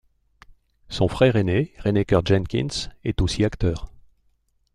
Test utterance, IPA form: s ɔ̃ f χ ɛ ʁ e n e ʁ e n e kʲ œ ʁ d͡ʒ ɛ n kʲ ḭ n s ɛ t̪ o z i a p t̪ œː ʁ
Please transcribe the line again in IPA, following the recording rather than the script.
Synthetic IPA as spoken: s ɔ̃ f χ ɛ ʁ e n e ʁ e n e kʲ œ ʁ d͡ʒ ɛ n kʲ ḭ n s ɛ t̪ o s i a k t̪ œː ʁ

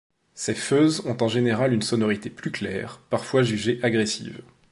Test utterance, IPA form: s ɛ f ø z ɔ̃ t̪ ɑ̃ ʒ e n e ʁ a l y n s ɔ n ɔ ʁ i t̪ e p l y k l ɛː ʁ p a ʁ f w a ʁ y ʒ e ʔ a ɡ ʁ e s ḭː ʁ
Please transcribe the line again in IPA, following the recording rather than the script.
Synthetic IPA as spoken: s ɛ f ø z ɔ̃ t̪ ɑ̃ ʒ e n e ʁ a l y n s ɔ n ɔ ʁ i t̪ e p l y k l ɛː ʁ p a ʁ f w a ʒ y ʒ e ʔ a ɡ ʁ e s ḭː v

